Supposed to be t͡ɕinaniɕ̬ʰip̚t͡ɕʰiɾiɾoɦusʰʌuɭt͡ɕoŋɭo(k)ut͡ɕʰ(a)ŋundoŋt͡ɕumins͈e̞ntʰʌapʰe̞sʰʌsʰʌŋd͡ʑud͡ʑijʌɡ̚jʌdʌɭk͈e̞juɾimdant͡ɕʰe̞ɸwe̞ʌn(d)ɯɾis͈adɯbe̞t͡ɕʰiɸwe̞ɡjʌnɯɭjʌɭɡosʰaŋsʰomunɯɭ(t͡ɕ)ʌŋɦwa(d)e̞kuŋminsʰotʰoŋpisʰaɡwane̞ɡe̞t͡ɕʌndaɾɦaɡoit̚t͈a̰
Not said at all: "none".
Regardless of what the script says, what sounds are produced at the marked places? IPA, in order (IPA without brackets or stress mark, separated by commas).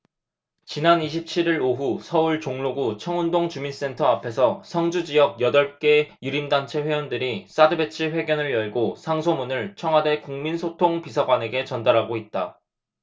ɡ, ʌ, d, t͡ɕʰ, d